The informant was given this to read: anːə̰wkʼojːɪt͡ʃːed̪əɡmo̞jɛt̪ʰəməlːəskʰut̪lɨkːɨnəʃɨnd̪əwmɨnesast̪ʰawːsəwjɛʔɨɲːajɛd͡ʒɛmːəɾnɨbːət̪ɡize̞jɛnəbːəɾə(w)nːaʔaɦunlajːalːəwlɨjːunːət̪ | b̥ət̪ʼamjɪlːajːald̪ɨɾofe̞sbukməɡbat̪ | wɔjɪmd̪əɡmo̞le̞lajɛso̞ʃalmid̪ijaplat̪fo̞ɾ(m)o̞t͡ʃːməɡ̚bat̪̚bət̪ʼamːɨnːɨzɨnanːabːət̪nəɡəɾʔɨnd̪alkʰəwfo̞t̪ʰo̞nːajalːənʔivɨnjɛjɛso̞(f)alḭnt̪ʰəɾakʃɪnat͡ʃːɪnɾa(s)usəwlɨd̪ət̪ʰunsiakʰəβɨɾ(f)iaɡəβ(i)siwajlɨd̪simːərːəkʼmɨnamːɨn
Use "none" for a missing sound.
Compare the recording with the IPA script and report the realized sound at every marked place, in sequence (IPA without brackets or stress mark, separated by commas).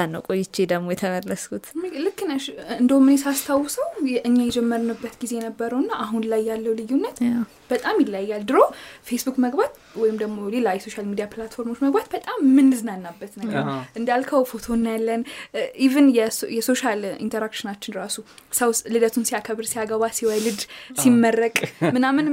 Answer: w, m, ʃ, s, s, a